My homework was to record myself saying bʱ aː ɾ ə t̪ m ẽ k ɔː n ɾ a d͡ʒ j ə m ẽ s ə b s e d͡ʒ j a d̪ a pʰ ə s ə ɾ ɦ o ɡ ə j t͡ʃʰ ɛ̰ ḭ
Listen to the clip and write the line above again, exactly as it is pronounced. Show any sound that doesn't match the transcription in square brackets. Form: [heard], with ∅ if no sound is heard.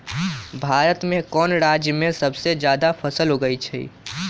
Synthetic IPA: bʱ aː ɾ ə t̪ m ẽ k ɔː n ɾ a d͡ʒ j ə m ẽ s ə b s e d͡ʒ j a d̪ a pʰ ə s ə [l] ɦ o ɡ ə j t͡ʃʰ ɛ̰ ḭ